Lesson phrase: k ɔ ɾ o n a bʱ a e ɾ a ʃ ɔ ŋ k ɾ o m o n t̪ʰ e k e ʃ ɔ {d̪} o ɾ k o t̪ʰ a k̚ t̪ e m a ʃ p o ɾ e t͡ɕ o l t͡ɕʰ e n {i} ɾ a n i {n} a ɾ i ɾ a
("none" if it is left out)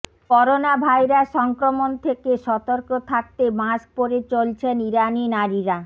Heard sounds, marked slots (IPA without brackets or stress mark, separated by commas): t̪, i, n